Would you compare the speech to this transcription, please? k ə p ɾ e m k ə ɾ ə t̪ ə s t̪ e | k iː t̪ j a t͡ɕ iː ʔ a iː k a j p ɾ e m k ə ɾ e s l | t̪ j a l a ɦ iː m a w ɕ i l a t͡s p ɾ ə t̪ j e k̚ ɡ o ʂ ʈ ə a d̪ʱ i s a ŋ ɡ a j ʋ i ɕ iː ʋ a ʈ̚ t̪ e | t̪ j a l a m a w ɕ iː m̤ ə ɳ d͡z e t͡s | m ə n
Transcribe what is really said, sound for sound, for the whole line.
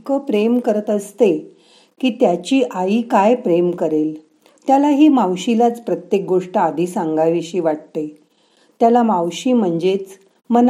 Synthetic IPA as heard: k ə p ɾ e m k ə ɾ ə t̪ ə s t̪ e | k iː t̪ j a t͡ɕ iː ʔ a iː k a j p ɾ e m k ə ɾ e l | t̪ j a l a ɦ iː m a w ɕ i l a t͡s p ɾ ə t̪ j e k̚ ɡ o ʂ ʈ ə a d̪ʱ i s a ŋ ɡ a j ʋ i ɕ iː ʋ a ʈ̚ t̪ e | t̪ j a l a m a w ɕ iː m̤ ə ɳ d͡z e t͡s | m ə n